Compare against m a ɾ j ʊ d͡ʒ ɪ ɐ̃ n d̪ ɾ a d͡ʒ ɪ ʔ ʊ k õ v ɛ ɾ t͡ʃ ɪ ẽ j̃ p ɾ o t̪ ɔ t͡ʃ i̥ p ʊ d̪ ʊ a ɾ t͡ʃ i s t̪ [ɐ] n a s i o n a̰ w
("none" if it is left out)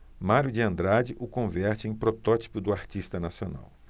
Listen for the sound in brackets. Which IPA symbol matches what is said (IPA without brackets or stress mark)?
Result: ɐ